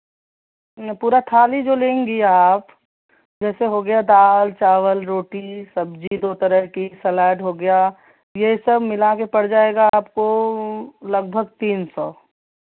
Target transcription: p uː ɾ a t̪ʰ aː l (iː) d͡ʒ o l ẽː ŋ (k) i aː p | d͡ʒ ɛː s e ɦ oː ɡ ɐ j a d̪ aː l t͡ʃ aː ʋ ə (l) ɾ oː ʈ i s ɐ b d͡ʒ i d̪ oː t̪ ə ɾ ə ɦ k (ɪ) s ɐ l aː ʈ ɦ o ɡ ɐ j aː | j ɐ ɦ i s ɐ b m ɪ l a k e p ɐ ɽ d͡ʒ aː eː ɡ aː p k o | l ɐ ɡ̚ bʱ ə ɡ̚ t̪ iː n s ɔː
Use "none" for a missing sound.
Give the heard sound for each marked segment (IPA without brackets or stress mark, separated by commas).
i, ɡ, l, i